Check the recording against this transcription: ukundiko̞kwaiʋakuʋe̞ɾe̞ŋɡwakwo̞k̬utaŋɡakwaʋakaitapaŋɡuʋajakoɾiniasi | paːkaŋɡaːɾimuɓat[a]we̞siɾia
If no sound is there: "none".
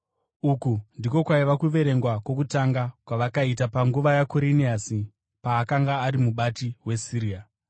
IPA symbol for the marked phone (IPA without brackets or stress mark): i